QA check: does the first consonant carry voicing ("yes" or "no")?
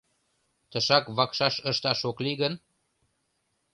no